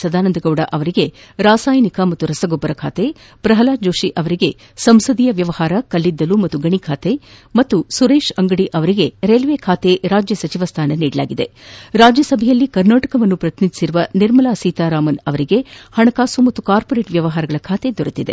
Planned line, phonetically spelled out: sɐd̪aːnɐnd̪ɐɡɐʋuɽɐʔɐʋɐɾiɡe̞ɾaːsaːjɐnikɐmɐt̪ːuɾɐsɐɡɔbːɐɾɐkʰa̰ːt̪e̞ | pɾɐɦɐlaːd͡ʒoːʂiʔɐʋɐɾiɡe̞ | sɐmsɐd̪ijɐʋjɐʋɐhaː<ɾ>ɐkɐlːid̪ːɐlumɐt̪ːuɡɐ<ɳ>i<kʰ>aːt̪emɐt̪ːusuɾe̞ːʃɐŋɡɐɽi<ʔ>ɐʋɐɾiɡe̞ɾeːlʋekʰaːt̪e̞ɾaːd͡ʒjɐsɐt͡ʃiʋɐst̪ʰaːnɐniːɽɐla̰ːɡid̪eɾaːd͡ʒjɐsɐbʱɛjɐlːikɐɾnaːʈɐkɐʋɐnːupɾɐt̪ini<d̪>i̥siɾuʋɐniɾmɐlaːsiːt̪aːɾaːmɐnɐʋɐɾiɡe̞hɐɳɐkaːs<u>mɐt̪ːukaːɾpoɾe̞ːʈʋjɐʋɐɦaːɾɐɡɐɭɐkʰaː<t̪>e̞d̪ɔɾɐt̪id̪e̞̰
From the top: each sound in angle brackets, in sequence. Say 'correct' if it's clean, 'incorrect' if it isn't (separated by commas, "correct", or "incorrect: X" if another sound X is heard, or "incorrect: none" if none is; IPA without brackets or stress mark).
correct, correct, correct, correct, correct, correct, correct